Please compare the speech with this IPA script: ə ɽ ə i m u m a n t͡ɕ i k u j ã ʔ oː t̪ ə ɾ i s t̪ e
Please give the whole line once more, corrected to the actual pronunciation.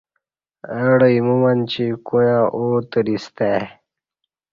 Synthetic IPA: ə ɽ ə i m u m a n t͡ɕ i k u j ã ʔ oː t̪ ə ɾ i s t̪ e